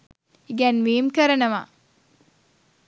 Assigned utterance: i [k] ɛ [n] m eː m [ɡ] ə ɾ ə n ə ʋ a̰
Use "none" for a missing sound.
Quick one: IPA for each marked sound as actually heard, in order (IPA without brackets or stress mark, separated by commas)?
ɡ, n, k